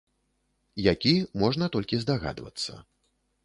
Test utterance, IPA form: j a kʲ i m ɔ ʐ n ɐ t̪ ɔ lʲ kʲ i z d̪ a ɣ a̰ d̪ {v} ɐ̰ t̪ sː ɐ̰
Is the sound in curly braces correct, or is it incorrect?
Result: correct